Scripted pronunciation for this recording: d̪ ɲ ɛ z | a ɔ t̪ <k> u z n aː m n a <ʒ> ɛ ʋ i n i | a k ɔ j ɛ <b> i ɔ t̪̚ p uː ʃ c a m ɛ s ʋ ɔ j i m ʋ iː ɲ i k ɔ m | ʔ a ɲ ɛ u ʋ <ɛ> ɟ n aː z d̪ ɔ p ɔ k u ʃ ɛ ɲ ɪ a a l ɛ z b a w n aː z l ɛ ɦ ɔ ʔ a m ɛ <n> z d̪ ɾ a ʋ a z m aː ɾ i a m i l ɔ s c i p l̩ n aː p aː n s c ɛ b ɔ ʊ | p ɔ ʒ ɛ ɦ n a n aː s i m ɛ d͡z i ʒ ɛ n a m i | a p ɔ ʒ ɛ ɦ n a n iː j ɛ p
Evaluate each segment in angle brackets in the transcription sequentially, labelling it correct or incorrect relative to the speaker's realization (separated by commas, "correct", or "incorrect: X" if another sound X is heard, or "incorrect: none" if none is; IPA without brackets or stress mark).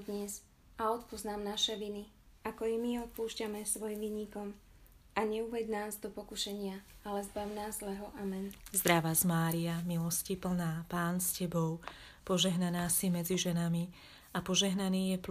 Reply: incorrect: p, incorrect: ʃ, incorrect: m, correct, correct